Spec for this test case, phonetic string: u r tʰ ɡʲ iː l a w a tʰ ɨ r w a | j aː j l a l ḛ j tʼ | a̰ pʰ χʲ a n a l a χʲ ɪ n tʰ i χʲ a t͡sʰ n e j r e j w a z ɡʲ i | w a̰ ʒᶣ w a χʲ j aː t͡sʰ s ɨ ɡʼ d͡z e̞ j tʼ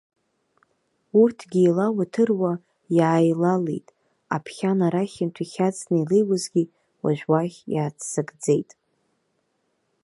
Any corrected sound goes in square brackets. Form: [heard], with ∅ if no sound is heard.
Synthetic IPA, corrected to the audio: u r tʰ ɡʲ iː l a w a tʰ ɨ r w a | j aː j l a l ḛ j tʼ | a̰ pʰ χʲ a n a [ɾ] a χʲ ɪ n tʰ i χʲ a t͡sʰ n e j [l] e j w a z ɡʲ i | w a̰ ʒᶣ w a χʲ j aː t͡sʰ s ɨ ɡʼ d͡z e̞ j tʼ